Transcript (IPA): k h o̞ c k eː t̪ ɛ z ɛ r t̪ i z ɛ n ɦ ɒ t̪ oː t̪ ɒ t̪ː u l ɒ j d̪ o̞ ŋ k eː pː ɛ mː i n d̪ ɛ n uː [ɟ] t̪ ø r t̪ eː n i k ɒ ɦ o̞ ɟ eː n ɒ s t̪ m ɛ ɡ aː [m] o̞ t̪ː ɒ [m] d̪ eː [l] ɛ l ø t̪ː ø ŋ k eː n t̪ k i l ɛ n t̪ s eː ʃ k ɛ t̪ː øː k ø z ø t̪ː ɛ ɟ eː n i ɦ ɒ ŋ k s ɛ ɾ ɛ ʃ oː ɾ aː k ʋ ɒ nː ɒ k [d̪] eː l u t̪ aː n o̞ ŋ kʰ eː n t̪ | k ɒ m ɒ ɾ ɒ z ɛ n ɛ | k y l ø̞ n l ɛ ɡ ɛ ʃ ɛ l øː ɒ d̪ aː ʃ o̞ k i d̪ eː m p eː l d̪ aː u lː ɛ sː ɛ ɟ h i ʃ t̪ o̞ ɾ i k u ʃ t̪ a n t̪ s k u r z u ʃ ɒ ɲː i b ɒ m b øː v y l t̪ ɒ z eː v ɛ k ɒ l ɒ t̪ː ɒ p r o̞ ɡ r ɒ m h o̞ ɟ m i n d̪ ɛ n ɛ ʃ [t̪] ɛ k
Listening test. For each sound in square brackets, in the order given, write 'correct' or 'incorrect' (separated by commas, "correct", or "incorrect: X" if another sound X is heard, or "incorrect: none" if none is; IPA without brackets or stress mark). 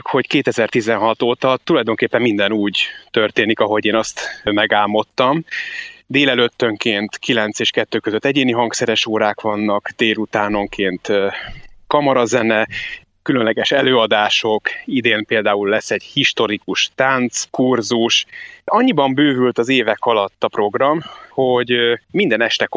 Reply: correct, correct, correct, correct, correct, correct